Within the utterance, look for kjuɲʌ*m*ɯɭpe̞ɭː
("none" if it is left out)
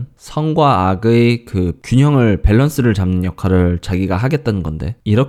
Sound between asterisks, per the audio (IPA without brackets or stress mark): ŋ